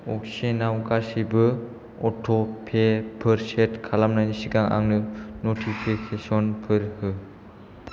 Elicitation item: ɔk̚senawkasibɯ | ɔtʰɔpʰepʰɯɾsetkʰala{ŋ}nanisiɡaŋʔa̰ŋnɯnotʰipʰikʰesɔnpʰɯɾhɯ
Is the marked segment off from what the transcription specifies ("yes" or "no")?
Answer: yes